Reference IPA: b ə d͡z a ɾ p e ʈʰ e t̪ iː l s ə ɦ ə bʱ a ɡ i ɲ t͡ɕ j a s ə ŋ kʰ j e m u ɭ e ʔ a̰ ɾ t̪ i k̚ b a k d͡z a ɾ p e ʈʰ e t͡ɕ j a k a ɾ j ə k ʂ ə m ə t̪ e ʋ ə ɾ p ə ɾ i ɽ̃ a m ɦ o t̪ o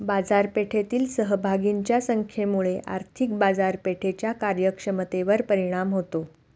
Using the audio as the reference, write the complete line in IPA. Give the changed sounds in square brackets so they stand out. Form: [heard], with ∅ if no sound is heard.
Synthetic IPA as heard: b [a] d͡z a ɾ p e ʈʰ e t̪ iː l s ə ɦ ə bʱ a ɡ i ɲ t͡ɕ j a s ə ŋ kʰ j e m u ɭ e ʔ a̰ ɾ [t̪ʰ] i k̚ b a [∅] d͡z a ɾ p e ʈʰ e t͡ɕ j a k a ɾ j ə k ʂ ə m ə t̪ e ʋ ə ɾ p ə ɾ i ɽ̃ a m ɦ o t̪ o